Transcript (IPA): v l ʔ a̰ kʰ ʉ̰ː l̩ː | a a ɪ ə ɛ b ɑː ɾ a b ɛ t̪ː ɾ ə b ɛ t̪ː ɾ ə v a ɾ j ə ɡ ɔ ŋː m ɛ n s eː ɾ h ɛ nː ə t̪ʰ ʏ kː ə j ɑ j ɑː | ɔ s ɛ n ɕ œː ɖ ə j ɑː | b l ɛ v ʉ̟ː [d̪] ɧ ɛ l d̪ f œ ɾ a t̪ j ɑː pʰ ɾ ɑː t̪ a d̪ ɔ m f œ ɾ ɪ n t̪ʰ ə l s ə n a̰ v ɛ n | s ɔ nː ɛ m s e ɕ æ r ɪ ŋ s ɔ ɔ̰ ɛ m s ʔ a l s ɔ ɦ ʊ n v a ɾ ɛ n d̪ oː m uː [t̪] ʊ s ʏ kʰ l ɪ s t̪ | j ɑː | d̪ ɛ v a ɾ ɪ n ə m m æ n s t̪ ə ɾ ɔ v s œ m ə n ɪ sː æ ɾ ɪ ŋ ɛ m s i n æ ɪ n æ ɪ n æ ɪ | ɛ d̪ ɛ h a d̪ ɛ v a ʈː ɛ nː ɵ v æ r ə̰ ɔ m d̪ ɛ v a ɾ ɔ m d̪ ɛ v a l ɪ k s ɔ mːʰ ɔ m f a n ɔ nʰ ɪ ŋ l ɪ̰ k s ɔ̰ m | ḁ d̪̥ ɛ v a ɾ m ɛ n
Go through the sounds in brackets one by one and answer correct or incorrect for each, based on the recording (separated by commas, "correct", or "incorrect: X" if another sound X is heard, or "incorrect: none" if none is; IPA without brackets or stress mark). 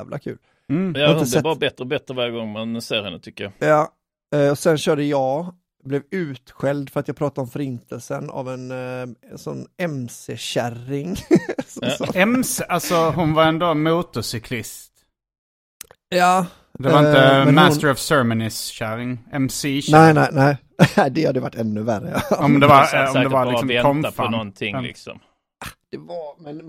incorrect: t̪, correct